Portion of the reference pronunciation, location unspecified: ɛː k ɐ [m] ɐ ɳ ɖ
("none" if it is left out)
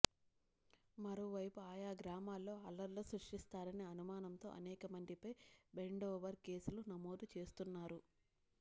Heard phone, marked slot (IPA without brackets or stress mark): m